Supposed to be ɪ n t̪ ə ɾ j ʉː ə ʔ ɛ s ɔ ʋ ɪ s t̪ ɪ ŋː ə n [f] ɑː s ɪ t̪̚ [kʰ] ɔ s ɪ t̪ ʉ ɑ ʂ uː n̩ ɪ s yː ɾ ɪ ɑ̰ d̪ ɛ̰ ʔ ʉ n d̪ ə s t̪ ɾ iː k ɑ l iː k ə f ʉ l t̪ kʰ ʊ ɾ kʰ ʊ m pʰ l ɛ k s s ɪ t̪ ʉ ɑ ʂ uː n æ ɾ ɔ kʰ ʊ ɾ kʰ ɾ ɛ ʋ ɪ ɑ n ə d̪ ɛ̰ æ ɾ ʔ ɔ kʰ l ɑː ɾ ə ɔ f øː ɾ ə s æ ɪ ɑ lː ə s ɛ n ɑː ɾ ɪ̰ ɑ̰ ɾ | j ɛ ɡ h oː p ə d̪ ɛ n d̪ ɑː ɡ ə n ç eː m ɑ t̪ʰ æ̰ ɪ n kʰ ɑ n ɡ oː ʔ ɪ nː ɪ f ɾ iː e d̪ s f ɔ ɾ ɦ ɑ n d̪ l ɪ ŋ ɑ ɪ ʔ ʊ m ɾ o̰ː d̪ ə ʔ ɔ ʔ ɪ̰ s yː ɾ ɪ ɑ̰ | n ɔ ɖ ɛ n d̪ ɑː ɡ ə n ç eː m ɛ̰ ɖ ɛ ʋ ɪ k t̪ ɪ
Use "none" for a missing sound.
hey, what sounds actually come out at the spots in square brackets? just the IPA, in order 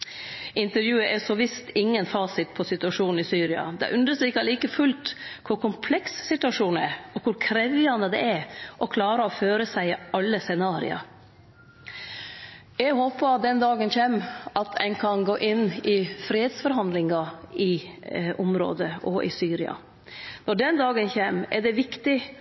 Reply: f, pʰ

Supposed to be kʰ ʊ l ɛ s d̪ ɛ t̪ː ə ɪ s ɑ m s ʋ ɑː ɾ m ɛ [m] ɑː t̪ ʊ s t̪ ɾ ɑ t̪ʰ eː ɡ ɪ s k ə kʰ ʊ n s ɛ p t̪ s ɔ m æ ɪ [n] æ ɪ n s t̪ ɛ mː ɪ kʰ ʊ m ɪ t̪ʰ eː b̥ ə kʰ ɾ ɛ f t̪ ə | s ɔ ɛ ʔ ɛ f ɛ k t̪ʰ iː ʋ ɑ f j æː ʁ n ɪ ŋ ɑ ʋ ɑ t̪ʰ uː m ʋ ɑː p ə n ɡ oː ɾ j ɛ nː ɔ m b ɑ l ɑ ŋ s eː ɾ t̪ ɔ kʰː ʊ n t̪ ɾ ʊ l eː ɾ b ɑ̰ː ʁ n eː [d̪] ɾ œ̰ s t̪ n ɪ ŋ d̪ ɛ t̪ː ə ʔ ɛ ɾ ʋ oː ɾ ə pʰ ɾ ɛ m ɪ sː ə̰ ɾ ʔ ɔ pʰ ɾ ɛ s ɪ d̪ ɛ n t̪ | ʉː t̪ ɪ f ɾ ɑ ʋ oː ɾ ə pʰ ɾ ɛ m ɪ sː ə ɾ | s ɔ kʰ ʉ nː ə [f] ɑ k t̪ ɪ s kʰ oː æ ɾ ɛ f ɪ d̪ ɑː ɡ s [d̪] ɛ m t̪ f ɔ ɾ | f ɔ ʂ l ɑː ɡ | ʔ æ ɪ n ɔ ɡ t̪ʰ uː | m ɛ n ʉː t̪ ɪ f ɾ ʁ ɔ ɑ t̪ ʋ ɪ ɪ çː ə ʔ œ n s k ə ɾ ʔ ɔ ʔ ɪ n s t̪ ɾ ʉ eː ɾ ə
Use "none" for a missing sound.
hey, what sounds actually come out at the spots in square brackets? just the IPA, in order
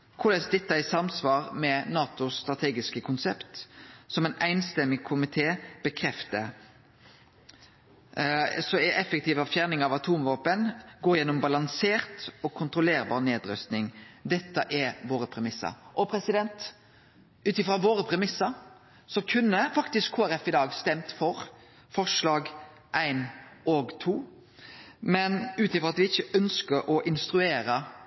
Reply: n, n, d̪, f, t̪

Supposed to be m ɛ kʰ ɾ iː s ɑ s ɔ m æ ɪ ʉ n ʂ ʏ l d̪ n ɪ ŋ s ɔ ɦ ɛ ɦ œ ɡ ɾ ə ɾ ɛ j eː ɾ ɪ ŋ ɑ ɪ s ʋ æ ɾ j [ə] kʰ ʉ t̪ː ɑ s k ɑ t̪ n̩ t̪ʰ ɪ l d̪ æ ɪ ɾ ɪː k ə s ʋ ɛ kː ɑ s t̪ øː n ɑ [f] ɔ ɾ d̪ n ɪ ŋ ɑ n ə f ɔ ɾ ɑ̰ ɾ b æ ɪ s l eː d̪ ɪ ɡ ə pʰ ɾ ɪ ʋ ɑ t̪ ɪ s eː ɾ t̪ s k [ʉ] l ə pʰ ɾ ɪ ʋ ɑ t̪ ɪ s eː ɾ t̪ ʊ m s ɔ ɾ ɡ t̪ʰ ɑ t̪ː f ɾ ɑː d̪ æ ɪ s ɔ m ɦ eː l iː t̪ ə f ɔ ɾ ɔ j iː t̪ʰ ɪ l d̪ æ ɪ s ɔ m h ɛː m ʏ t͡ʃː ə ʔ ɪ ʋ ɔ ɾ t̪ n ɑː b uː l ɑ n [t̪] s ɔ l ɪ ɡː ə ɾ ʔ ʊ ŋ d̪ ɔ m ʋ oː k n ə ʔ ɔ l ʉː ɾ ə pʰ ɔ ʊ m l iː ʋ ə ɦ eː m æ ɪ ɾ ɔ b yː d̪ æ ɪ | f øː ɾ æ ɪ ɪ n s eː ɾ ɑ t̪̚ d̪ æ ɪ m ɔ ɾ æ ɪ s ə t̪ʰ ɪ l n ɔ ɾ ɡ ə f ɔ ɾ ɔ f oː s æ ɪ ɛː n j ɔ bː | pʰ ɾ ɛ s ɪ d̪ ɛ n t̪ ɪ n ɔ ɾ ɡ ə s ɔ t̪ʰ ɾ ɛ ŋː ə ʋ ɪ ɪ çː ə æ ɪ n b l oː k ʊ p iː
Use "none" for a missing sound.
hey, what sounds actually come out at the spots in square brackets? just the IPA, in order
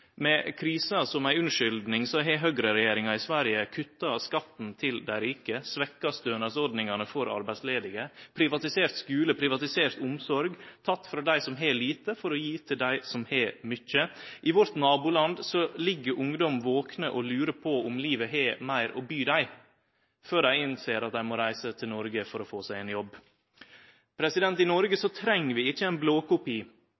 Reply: ə, s, ʉː, d̪

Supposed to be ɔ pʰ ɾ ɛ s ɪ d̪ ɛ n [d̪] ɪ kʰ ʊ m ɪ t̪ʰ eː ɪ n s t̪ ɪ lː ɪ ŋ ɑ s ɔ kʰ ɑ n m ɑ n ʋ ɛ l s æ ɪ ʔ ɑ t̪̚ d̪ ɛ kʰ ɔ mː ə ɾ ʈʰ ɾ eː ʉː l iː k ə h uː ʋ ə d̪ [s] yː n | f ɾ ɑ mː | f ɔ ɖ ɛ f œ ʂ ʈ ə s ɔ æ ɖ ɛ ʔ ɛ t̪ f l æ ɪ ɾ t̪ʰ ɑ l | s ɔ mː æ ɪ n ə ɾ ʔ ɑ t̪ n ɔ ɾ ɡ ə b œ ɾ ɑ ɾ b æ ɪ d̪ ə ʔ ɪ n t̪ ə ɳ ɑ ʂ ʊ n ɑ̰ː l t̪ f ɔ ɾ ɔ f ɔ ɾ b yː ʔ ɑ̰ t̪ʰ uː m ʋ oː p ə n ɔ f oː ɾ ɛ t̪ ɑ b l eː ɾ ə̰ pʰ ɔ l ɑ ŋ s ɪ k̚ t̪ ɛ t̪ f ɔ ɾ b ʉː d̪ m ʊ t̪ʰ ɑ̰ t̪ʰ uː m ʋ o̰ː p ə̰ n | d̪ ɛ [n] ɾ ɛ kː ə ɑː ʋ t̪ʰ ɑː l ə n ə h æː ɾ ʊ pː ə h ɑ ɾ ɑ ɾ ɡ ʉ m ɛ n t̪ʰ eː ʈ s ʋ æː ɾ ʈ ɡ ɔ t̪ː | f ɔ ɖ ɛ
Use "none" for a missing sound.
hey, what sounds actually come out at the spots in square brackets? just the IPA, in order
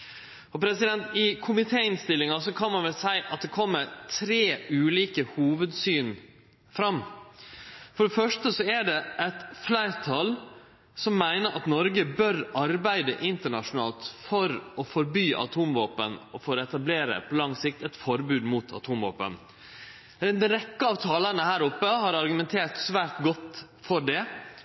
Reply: t̪, s, n

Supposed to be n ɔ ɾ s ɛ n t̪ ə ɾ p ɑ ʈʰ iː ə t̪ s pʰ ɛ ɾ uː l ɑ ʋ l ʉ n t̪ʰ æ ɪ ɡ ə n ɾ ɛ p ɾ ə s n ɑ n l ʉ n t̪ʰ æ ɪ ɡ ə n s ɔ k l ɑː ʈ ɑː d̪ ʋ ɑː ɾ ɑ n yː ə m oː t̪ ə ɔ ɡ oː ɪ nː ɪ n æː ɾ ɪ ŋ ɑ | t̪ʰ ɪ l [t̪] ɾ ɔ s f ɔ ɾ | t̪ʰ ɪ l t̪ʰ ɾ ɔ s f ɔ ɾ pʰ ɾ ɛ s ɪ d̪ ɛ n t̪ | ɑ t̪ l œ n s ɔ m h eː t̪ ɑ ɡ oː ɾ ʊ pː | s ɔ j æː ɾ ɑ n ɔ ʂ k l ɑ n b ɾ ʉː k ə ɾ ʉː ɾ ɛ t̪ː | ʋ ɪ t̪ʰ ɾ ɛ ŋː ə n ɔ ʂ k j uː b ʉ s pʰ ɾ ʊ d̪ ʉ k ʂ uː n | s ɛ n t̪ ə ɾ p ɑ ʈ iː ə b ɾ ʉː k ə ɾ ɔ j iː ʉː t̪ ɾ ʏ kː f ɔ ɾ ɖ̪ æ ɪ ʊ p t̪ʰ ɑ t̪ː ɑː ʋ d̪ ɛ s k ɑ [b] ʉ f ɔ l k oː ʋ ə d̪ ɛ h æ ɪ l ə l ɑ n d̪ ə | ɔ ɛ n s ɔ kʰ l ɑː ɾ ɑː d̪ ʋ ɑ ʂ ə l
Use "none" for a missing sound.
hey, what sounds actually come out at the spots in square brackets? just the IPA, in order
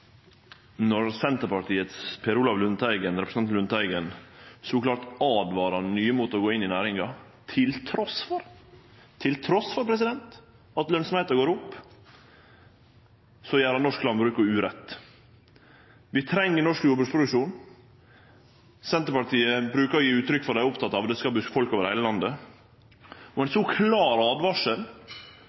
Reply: t̪ʰ, b

